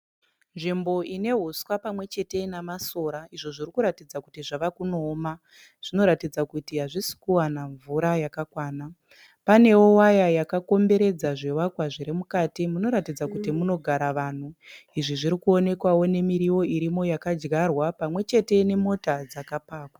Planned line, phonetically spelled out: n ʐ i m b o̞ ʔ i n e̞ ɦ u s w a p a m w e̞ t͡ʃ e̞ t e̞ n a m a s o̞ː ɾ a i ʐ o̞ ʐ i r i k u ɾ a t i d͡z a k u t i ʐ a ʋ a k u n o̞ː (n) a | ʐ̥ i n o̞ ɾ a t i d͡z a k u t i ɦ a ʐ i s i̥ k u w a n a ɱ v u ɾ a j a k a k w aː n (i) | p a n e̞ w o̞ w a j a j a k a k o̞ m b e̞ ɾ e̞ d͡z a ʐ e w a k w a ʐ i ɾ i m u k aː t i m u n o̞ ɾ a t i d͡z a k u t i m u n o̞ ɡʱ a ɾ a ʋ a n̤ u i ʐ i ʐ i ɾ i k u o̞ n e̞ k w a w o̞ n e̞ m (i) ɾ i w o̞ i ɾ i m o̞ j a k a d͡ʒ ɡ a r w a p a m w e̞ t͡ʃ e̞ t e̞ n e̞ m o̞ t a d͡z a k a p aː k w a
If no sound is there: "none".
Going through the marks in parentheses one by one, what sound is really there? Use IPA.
m, a, i

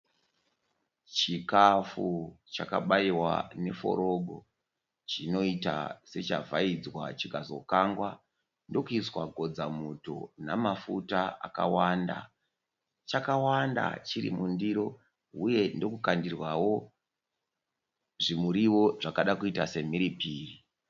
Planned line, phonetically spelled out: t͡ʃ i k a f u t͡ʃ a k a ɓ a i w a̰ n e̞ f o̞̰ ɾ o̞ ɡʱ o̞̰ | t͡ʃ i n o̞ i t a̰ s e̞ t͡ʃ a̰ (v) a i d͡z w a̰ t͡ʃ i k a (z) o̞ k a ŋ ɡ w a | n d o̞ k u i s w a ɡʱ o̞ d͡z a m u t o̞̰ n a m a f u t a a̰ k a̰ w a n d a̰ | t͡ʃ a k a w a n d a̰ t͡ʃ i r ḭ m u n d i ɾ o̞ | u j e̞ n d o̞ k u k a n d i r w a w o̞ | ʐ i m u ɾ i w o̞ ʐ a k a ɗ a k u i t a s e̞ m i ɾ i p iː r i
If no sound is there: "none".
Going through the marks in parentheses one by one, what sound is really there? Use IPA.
v, z

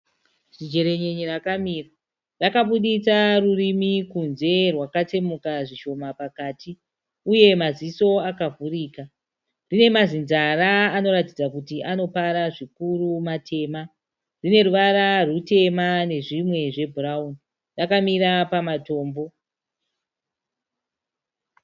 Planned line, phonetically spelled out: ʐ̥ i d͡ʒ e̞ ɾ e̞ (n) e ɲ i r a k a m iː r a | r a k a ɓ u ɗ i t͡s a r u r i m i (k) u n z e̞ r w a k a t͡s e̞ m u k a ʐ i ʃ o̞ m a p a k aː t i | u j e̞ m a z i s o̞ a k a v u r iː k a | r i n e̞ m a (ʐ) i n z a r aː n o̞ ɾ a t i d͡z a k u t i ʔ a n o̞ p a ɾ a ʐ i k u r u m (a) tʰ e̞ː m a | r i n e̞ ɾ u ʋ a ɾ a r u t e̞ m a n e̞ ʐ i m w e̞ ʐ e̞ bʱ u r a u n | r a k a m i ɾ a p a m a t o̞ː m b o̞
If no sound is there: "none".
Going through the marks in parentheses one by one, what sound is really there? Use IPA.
ɲ, k, z, a

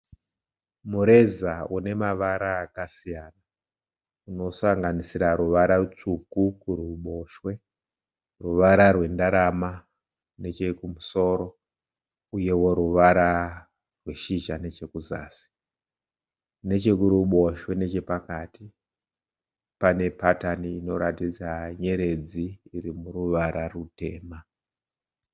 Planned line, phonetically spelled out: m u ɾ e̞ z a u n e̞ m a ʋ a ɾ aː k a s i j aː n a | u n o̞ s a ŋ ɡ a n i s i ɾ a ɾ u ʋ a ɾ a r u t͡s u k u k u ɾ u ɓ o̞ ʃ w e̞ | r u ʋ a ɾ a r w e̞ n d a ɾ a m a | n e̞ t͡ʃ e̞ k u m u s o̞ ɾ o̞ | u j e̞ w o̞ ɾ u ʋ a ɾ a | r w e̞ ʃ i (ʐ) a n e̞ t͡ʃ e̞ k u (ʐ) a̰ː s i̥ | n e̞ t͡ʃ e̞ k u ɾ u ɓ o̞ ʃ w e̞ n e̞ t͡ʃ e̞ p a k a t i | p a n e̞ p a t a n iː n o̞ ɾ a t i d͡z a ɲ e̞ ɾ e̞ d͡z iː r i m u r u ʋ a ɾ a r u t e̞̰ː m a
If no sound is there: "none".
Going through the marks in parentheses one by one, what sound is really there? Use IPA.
ʒ, z

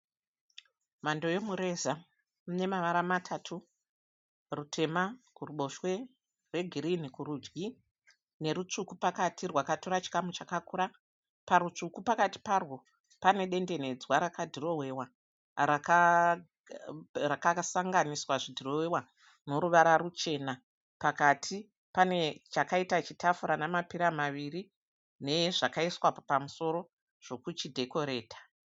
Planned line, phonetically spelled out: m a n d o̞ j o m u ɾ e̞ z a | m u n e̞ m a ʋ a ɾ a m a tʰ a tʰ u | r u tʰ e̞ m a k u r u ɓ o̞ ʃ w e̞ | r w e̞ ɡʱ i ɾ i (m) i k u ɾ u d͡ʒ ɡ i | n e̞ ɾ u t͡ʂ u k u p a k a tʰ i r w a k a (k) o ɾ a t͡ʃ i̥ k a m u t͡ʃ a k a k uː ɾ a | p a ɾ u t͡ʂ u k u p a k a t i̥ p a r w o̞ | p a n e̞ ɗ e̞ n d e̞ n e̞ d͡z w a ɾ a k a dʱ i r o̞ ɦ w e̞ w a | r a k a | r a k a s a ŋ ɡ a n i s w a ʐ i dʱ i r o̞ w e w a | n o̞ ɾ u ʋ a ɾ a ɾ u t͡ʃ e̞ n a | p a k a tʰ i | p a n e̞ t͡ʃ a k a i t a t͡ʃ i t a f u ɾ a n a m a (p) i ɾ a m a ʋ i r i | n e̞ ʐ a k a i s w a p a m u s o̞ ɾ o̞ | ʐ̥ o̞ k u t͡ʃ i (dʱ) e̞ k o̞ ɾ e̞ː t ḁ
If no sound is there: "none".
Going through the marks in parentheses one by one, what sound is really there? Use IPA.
n, t, p, dʱ

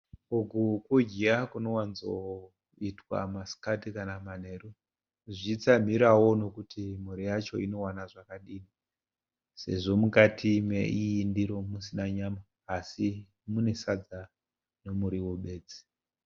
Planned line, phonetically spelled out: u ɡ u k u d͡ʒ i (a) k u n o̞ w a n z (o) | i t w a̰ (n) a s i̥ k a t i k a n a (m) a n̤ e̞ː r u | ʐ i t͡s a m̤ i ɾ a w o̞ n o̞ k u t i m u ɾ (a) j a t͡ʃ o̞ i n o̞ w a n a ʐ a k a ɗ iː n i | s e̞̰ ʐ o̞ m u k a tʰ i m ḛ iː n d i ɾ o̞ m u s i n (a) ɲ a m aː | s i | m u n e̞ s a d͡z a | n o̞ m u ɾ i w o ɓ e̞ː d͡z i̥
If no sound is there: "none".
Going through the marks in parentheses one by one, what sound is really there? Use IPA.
a, o, m, m, i, a

